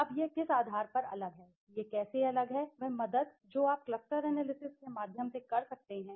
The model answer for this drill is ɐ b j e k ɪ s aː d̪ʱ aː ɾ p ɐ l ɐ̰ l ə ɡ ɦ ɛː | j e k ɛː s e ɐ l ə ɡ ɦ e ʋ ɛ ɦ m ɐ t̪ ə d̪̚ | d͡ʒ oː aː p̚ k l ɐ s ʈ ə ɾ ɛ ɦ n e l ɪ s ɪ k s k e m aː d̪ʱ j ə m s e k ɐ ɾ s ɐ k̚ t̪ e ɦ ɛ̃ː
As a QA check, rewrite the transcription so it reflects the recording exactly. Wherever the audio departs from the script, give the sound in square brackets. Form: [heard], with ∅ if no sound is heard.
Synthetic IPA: ɐ b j e k ɪ s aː d̪ʱ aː ɾ p ɐ [ɾ] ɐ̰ l ə ɡ ɦ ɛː | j e k ɛː s e ɐ l ə ɡ ɦ [ɛ] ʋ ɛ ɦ m ɐ [d̪] ə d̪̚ | d͡ʒ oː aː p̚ k l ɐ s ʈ ə ɾ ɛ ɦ n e l ɪ s ɪ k s k e m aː d̪ʱ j ə m s e k ɐ ɾ s ɐ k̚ t̪ e ɦ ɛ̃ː